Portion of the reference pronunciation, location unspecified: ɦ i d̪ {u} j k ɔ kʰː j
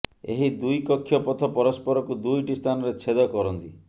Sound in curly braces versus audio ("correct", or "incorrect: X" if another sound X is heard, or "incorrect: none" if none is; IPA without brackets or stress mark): correct